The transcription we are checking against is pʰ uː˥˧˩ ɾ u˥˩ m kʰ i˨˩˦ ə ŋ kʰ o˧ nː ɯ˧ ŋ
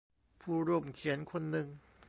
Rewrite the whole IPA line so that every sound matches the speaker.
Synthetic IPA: pʰ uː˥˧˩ ɾ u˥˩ m kʰ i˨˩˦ ə n kʰ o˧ nː ɯ˧ ŋ